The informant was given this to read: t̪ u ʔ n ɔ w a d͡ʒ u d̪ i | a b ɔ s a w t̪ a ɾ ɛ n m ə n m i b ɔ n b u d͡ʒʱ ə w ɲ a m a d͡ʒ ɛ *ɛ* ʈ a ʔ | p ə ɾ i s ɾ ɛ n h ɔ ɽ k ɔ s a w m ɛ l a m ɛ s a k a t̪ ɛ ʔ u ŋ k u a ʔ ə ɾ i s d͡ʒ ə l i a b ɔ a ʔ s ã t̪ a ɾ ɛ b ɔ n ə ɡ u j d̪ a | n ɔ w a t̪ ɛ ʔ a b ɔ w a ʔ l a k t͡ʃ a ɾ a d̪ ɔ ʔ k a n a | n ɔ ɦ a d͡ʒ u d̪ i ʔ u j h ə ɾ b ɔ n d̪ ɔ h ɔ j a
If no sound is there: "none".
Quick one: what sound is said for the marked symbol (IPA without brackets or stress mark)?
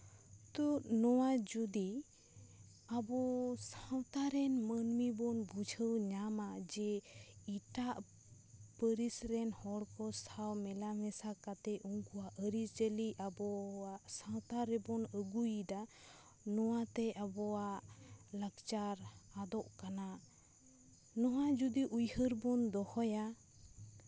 i